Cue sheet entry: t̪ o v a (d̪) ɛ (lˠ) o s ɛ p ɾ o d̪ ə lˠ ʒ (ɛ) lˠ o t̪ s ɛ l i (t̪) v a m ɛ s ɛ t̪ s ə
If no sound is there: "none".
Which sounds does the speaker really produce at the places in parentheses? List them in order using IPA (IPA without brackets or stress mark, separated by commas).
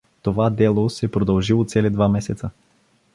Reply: d̪, lˠ, i, d̪